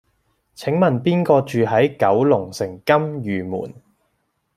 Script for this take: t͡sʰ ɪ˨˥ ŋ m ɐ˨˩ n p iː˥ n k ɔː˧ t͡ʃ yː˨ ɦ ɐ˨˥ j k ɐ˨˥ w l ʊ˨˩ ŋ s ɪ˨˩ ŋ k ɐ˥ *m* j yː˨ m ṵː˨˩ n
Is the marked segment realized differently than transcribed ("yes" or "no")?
no